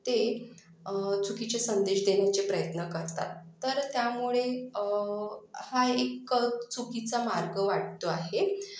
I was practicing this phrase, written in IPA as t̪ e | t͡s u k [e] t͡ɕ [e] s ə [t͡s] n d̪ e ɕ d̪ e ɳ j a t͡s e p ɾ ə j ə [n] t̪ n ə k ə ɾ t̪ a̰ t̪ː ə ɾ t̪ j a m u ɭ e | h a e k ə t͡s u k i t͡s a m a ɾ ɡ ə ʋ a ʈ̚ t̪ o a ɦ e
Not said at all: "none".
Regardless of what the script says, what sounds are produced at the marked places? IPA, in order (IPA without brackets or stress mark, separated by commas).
i, e, none, none